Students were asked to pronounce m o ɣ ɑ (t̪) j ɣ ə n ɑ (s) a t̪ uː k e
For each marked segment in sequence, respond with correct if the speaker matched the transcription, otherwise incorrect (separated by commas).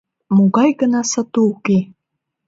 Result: incorrect, correct